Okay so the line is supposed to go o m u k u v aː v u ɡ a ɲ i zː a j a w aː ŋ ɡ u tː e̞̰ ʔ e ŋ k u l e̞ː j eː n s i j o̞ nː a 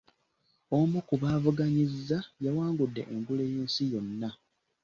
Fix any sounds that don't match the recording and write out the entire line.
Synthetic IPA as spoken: o m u k u β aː v u ɡ a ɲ i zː a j a w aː ŋ ɡ u dː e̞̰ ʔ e ŋ ɡ u l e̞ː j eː n s i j o̞ nː a